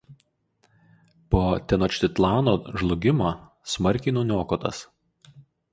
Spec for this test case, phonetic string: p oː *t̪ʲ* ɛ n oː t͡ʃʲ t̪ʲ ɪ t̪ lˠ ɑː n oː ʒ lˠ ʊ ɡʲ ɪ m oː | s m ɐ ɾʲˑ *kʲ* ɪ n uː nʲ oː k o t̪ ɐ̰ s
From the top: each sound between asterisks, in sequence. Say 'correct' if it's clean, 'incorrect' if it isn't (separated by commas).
correct, correct